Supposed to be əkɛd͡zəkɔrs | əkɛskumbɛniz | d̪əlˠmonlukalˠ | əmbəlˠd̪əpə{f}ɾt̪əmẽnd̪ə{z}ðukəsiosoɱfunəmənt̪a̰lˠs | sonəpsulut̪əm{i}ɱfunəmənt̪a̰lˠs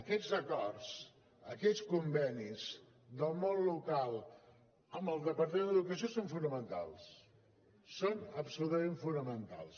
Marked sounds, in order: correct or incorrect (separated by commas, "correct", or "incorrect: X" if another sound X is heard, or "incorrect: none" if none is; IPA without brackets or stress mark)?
incorrect: none, incorrect: none, incorrect: e